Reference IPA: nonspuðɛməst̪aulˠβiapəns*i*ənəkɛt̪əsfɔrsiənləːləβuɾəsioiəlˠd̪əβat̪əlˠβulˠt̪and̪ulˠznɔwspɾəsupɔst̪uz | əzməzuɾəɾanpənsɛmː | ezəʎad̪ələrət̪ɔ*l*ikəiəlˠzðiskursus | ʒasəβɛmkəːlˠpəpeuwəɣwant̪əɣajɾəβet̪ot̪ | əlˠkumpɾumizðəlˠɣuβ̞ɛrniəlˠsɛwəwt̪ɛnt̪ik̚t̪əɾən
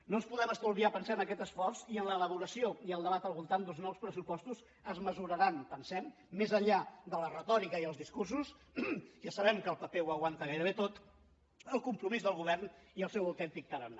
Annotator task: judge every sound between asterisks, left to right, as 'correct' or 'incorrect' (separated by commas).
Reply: incorrect, incorrect